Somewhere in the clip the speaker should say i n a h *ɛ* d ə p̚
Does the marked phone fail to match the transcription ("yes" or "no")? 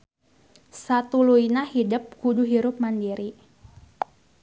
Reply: yes